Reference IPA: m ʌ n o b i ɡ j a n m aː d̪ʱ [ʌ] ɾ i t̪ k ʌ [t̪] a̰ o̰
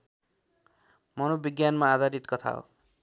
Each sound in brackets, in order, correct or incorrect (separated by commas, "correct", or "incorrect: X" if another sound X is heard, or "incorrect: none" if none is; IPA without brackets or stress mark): incorrect: a, incorrect: t̪ʰ